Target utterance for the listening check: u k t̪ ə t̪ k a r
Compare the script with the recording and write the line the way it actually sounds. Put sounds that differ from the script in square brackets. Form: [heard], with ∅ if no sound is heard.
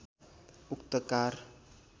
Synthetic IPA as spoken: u k t̪ ə [∅] k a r